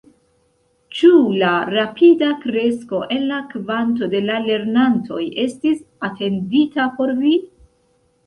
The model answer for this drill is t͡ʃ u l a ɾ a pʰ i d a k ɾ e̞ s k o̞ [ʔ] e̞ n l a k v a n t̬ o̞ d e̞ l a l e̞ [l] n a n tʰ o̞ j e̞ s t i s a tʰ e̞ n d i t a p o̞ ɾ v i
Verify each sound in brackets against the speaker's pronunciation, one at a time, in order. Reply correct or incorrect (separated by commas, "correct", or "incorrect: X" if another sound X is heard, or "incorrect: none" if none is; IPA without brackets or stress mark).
correct, incorrect: ɾ